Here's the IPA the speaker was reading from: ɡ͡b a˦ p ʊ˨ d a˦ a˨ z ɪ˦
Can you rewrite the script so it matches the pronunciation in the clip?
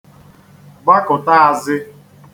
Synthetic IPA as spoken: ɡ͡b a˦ k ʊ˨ t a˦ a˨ z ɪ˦